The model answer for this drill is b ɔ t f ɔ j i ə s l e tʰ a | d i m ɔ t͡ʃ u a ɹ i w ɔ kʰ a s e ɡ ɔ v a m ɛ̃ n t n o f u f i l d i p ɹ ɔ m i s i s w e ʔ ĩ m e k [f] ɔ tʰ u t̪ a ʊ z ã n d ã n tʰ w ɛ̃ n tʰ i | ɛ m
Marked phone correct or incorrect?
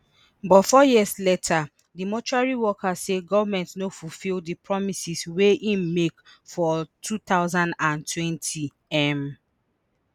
correct